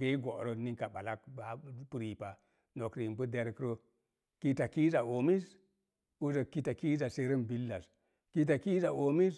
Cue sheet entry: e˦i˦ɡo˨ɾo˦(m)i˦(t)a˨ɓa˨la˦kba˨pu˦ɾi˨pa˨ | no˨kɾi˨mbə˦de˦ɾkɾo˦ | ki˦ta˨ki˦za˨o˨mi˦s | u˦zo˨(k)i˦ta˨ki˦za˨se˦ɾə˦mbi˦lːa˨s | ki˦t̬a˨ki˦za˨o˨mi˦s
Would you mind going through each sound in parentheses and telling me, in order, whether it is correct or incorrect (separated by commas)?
incorrect, incorrect, correct